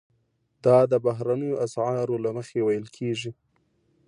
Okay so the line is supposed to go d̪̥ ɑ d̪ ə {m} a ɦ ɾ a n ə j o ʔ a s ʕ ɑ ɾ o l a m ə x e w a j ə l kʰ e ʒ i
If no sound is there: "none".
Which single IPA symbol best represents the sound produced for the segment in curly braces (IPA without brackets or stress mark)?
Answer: b